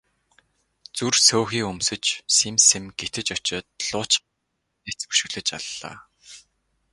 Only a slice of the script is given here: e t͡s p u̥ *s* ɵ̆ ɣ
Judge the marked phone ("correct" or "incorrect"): incorrect